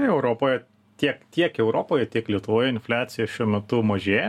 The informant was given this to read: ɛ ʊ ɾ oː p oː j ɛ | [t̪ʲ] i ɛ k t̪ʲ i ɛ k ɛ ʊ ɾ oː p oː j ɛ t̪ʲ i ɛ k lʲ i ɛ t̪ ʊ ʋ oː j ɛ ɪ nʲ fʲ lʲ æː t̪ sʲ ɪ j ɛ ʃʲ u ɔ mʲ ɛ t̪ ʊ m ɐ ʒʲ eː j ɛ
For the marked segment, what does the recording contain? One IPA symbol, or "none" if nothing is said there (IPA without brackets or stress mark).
t̪ʲ